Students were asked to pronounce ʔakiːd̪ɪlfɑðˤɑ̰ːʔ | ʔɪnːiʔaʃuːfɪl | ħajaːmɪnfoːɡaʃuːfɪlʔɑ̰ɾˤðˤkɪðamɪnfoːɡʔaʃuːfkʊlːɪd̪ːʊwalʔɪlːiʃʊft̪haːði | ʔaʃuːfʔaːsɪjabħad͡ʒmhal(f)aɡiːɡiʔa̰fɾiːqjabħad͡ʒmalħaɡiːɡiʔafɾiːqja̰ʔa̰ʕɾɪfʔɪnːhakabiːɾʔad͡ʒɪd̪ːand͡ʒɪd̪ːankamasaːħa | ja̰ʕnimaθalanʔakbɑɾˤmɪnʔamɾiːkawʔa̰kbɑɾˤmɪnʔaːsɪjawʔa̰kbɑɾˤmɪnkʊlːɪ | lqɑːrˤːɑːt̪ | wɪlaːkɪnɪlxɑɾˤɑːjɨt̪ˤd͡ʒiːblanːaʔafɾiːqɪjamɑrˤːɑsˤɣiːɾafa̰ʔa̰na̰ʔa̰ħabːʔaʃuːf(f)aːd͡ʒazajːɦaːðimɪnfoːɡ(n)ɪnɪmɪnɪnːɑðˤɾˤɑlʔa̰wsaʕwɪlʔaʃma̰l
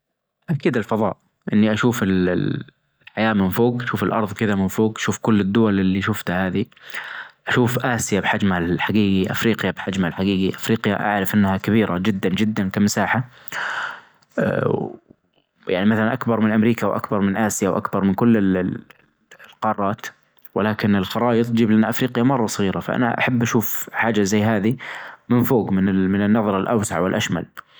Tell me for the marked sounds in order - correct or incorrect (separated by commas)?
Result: incorrect, incorrect, incorrect